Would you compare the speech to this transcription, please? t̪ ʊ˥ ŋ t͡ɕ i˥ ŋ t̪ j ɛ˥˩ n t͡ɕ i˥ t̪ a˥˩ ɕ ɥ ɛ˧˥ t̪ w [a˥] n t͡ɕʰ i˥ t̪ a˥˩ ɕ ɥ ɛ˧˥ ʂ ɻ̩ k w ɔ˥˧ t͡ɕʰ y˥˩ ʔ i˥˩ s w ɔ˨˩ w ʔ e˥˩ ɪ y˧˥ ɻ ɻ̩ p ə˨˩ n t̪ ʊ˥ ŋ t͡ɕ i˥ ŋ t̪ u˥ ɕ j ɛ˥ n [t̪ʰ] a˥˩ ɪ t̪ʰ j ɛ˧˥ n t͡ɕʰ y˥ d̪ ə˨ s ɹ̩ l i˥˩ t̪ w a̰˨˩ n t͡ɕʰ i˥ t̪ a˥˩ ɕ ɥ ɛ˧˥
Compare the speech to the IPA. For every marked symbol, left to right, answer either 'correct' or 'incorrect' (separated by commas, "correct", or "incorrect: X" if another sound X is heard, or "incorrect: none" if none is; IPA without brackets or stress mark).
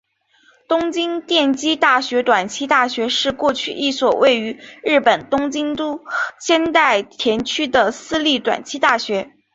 incorrect: a˨˩, incorrect: t̪